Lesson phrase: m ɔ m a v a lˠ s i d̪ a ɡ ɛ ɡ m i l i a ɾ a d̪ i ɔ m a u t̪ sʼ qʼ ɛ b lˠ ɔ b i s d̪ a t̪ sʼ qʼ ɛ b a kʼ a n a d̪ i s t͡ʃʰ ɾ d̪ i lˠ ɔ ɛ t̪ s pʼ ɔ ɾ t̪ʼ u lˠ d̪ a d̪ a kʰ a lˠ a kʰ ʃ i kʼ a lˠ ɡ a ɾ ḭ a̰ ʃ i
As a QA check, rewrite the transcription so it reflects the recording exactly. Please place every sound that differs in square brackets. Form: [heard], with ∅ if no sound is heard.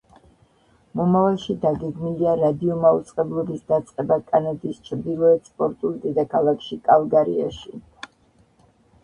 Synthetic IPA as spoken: m ɔ m a v a lˠ [ʃ] i d̪ a ɡ ɛ ɡ m i l i a ɾ a d̪ i ɔ m a u t̪ sʼ qʼ ɛ b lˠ ɔ b i s d̪ a t̪ sʼ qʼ ɛ b a kʼ a n a d̪ i s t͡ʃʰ ɾ d̪ i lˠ ɔ ɛ t̪ s pʼ ɔ ɾ t̪ʼ u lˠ d̪ [ɛ] d̪ a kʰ a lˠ a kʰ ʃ i kʼ a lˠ ɡ a ɾ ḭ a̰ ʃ i